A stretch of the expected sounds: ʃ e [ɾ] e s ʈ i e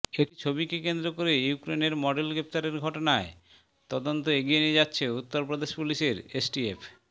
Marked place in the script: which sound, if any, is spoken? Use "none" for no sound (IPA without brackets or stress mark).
ɾ